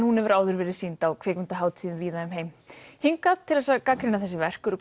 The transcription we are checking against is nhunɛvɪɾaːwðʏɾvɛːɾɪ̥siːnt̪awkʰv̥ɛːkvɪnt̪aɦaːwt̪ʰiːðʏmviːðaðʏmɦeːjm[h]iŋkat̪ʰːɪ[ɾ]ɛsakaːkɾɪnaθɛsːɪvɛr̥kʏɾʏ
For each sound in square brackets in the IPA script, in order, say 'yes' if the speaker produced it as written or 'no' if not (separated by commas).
yes, no